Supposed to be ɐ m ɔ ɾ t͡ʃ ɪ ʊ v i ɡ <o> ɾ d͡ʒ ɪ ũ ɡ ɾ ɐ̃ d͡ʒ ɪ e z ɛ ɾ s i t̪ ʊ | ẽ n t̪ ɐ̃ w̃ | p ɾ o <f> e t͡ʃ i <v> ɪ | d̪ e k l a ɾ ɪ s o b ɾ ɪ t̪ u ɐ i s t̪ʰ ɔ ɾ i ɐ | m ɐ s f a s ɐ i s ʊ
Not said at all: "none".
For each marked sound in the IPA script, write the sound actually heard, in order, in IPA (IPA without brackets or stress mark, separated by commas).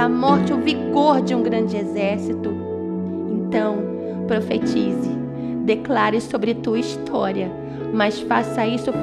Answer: o, f, z